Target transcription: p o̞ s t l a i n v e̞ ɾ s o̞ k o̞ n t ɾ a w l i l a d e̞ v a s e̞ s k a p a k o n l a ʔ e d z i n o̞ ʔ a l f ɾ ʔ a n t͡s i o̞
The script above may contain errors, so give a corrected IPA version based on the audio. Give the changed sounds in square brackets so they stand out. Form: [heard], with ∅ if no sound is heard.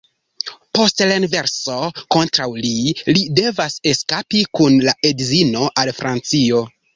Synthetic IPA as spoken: p o̞ s t l a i n v e̞ ɾ s o̞ k o̞ n t ɾ a w l i l [i] d e̞ v a s e̞ s k a p [i] k [u] n l a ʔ e d z i n o̞ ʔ a l f ɾ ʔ a n t͡s i o̞